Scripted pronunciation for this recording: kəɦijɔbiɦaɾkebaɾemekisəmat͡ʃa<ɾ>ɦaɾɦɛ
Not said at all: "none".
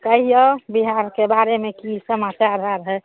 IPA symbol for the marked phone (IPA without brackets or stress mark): ɾ